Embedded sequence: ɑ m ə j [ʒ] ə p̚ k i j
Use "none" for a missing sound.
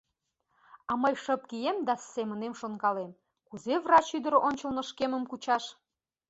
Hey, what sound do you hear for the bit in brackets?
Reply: ʃ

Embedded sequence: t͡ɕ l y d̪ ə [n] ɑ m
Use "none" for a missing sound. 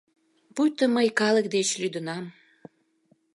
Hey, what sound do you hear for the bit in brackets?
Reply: n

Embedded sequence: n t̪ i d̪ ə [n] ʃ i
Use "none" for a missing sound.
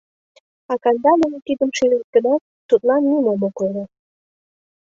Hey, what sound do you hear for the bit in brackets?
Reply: m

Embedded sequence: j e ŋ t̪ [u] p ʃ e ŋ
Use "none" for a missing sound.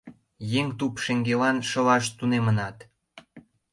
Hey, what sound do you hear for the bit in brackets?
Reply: u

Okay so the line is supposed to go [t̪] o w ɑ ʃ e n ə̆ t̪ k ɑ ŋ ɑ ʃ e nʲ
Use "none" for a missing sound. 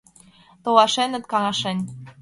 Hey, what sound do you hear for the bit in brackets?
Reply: t̪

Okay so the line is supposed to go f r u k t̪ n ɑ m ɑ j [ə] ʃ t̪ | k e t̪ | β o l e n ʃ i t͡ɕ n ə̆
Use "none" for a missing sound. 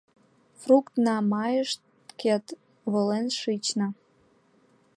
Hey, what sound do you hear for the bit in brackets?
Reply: ə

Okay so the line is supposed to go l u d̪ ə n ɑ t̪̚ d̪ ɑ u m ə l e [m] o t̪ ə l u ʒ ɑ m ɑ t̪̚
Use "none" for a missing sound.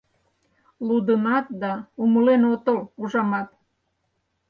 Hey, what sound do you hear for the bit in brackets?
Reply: n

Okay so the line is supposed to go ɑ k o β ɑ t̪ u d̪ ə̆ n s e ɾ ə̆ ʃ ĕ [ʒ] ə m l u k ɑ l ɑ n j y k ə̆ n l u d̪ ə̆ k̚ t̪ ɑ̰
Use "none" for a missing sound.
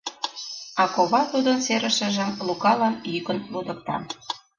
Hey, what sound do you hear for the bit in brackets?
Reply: ʒ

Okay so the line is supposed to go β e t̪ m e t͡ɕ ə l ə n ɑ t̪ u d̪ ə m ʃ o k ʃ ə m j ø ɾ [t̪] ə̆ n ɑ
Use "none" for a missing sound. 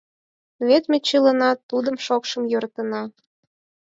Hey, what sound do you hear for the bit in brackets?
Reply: t̪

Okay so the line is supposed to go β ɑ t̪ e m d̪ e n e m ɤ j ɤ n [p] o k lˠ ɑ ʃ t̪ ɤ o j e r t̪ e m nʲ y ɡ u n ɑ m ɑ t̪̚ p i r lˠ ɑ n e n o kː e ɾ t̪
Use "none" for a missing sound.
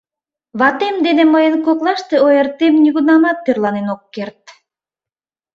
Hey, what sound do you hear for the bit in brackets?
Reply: k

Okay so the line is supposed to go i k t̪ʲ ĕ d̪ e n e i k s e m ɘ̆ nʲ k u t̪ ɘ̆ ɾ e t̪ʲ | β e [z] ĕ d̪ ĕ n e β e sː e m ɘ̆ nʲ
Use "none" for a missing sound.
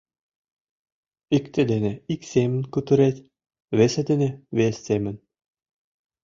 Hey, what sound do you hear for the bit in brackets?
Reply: s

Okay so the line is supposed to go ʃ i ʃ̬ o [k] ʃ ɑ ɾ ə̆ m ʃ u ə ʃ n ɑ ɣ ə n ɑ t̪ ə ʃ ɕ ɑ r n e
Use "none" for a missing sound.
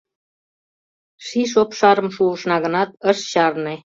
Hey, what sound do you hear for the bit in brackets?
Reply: p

